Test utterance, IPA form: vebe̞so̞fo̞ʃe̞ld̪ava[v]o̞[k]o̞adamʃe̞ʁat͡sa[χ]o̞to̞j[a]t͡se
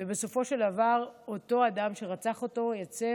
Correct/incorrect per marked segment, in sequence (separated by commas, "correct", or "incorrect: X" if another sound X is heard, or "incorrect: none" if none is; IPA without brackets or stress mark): incorrect: ʁ, incorrect: t, correct, correct